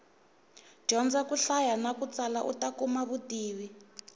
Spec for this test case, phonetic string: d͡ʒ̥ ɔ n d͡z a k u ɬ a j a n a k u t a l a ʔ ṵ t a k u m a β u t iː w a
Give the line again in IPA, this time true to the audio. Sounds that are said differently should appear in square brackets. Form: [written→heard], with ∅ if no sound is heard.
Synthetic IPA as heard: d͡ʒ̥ ɔ n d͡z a k u ɬ a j a n a k u [t→t͡s] a l a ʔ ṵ t a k u m a β u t iː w [a→i]